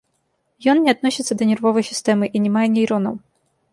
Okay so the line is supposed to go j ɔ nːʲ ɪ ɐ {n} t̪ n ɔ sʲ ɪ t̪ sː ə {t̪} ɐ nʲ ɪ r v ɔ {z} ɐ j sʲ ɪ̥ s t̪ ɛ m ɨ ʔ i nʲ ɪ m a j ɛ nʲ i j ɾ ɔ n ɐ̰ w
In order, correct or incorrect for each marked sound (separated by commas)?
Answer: incorrect, incorrect, incorrect